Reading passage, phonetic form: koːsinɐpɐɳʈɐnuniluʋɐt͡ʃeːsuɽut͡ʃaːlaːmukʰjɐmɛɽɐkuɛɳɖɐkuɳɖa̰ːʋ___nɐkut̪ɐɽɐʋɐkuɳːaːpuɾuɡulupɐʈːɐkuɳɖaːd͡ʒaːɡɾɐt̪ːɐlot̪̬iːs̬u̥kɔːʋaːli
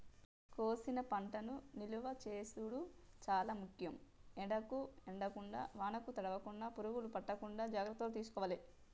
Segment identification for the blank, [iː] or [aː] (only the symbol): aː